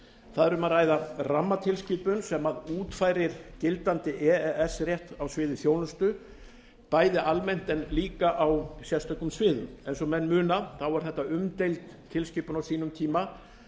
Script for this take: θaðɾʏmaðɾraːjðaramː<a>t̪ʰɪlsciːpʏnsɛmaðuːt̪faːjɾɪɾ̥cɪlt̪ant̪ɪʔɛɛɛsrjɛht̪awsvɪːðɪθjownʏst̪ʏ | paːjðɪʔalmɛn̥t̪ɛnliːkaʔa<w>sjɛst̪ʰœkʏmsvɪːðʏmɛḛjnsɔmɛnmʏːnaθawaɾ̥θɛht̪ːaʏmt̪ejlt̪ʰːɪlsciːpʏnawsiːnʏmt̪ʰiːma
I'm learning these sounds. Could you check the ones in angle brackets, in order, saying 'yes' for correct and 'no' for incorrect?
yes, yes

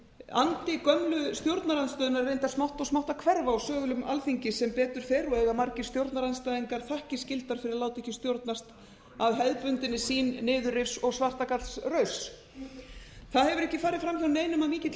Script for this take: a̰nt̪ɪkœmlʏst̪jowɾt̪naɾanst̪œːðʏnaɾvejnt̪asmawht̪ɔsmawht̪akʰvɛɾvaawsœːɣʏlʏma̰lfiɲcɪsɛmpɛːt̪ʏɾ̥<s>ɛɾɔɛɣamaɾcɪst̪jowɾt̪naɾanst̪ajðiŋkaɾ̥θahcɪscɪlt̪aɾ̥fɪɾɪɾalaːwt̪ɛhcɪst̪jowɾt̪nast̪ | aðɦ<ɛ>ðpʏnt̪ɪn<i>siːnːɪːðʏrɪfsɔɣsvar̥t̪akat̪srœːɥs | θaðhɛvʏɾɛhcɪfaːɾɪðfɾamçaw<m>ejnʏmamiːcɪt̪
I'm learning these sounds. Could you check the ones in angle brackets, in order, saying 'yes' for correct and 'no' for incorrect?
no, yes, no, no

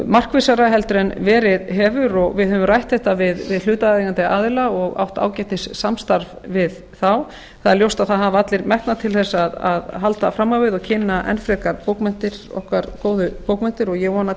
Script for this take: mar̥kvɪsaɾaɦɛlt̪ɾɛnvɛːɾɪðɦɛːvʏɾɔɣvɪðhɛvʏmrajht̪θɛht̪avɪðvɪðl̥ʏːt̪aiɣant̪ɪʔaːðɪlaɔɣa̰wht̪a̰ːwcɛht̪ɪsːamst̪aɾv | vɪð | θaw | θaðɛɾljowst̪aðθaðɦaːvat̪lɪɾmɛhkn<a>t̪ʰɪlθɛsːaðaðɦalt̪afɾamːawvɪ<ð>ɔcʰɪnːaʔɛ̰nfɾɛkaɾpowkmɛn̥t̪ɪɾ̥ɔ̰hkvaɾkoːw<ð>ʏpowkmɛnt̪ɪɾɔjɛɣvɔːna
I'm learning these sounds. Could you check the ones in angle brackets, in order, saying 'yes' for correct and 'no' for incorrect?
yes, yes, yes

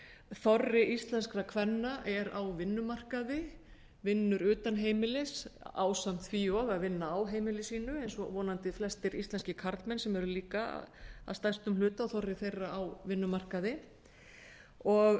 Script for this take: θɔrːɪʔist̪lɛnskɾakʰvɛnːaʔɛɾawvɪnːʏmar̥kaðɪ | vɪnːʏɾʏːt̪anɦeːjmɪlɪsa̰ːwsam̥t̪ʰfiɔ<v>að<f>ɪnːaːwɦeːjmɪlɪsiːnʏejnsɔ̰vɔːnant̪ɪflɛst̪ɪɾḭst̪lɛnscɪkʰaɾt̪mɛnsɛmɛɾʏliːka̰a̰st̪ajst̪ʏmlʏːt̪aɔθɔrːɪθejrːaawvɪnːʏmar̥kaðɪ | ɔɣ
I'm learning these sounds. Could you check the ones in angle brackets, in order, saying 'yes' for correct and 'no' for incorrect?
no, no

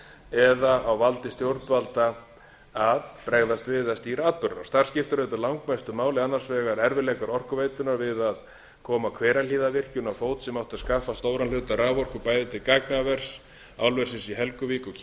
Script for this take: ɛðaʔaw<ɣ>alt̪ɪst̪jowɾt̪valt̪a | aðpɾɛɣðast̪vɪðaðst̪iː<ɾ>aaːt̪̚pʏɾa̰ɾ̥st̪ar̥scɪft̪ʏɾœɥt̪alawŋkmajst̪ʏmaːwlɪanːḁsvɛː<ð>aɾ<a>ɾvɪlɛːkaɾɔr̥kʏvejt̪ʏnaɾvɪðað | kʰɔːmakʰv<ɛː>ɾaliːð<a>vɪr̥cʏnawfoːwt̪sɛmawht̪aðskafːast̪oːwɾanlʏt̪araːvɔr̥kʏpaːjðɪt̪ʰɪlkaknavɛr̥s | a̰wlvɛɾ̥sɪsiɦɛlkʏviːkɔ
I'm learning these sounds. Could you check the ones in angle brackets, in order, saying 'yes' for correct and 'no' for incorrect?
no, yes, no, no, yes, yes

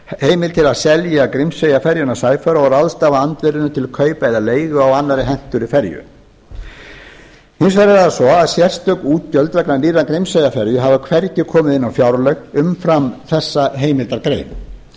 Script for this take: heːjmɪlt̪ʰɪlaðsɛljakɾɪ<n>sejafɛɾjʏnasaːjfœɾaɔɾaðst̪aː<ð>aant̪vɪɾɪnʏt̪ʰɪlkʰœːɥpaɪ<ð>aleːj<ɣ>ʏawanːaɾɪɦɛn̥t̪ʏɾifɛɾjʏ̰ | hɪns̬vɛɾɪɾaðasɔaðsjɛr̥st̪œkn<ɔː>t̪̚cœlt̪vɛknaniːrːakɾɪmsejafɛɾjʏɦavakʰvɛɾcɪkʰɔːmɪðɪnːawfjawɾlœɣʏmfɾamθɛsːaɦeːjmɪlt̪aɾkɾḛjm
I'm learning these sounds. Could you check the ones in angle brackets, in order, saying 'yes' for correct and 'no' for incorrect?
no, no, yes, yes, no

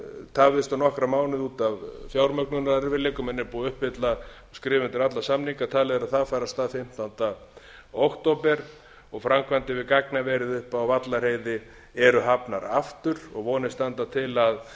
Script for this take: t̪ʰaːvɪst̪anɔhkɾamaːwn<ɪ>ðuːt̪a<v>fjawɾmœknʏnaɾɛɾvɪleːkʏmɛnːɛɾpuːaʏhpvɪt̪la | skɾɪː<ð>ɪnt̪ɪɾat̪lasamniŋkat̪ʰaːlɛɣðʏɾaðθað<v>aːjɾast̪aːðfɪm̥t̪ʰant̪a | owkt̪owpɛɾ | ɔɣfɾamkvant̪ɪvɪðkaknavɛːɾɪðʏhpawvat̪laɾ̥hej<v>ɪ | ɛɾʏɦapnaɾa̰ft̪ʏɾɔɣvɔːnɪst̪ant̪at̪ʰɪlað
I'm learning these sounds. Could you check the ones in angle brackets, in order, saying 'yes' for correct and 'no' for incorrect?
yes, yes, no, no, no

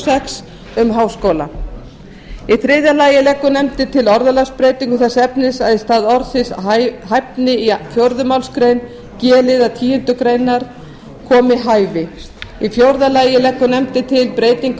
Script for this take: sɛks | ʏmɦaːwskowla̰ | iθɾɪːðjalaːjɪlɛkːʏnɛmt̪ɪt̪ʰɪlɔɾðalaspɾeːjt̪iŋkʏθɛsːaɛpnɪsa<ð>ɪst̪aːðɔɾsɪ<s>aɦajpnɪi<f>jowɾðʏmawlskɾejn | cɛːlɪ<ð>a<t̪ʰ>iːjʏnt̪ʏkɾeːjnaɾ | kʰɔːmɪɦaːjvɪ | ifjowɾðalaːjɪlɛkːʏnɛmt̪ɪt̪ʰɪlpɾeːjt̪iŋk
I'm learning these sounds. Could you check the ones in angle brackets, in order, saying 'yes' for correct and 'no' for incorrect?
yes, yes, yes, yes, yes

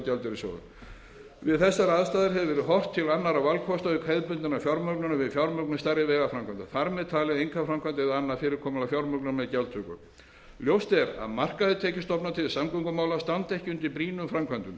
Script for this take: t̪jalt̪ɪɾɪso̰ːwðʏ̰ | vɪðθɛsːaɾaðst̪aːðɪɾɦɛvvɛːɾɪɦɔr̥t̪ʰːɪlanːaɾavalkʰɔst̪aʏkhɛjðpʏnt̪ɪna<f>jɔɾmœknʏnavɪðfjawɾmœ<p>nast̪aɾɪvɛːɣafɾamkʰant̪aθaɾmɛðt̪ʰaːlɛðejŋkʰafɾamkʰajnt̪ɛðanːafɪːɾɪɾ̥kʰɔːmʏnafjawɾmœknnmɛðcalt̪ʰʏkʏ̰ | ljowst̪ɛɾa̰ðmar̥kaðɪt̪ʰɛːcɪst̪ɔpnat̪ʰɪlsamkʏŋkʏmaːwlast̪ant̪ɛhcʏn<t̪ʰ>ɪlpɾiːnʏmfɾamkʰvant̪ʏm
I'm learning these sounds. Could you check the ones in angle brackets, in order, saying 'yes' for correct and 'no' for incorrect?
yes, no, no

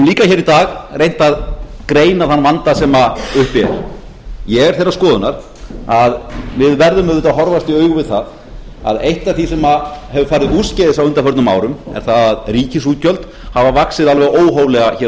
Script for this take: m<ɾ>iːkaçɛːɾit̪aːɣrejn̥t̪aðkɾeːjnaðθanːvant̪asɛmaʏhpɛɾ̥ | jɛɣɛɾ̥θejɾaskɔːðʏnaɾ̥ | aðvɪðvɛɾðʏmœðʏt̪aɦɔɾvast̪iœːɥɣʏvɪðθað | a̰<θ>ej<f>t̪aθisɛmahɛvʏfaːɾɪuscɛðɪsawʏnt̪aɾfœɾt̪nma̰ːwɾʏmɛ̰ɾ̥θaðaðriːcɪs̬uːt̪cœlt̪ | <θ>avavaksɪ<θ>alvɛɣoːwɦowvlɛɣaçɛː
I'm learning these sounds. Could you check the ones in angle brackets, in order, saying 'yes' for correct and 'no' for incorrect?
no, no, no, no, no

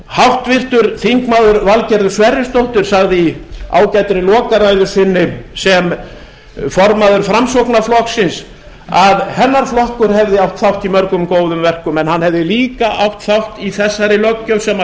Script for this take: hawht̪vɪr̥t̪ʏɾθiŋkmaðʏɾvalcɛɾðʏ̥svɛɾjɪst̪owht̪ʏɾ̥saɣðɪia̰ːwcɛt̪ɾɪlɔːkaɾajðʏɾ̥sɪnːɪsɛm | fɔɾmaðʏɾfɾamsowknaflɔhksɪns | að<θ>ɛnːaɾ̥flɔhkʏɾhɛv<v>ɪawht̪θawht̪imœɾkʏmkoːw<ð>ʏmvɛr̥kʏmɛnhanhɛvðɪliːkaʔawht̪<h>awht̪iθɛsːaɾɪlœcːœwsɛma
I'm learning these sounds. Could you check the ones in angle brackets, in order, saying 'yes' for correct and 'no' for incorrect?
no, no, yes, no

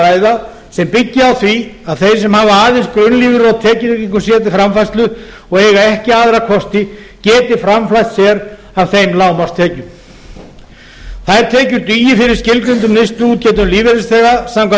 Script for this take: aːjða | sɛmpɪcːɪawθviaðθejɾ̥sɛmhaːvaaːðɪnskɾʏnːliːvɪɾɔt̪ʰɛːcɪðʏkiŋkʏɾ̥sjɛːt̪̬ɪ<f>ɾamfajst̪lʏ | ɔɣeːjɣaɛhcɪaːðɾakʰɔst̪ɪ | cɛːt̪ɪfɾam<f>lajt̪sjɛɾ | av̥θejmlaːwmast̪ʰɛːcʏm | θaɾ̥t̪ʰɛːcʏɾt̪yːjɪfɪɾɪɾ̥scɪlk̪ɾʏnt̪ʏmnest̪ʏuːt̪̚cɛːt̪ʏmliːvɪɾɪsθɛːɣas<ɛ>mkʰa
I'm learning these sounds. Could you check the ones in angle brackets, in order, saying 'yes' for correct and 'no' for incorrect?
yes, yes, no

